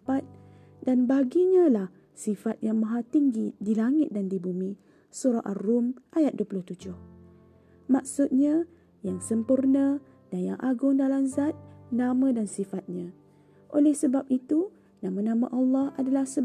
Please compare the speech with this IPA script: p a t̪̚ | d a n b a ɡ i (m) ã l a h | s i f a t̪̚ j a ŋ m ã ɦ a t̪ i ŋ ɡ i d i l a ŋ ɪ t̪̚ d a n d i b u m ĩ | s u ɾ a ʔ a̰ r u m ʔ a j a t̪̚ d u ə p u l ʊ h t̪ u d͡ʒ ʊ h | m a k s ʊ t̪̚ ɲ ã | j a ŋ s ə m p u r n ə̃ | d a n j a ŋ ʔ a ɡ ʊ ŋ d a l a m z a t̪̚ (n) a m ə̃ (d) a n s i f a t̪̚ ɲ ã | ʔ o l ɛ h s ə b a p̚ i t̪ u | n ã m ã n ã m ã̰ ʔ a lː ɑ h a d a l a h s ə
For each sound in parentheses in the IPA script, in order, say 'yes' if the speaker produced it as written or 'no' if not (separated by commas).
no, yes, yes